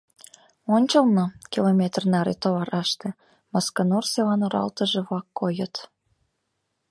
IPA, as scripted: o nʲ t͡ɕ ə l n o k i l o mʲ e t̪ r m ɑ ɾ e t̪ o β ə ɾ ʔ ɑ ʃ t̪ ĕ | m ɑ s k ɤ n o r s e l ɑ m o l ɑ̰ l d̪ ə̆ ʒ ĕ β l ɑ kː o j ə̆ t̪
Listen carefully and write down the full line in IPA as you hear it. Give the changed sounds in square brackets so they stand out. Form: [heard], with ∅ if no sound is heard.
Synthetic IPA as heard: o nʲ t͡ɕ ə l n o k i l o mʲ e t̪ r [n] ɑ ɾ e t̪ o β [ɑ] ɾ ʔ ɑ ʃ t̪ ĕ | m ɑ s k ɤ n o r s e l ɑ [n] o [ɾ] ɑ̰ l [t̪] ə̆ ʒ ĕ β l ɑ kː o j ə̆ t̪